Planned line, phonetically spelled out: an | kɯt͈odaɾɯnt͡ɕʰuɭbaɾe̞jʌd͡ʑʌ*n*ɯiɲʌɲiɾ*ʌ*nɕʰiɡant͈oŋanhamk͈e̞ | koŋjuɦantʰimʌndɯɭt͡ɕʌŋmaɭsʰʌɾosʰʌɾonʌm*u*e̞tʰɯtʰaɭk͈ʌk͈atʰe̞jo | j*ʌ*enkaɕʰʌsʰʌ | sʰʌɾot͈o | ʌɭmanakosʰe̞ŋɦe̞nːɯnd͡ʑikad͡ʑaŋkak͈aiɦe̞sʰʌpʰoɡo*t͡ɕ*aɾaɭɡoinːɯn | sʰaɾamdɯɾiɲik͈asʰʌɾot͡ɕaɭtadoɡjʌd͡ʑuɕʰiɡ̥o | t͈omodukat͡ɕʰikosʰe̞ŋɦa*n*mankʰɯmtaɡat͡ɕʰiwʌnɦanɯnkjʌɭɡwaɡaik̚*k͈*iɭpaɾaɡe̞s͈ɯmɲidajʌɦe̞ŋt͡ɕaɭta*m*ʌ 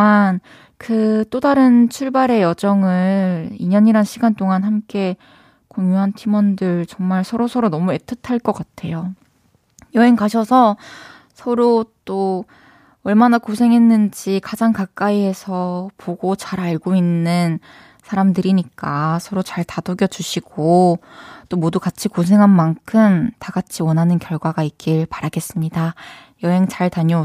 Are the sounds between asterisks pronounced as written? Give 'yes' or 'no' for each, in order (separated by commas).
no, no, yes, yes, yes, yes, yes, no